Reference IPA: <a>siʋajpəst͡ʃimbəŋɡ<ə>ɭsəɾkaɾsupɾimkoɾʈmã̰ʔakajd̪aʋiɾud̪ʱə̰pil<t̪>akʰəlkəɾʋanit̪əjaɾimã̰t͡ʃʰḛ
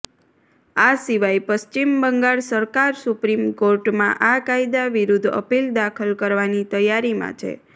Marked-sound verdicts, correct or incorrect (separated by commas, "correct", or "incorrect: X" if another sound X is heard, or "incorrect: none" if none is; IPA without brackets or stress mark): correct, incorrect: a, incorrect: d̪